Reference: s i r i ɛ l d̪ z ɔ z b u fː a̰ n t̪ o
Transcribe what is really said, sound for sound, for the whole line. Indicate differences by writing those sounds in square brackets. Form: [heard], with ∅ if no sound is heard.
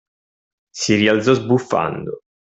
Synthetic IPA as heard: s i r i [a] l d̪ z ɔ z b u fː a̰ n [d̪] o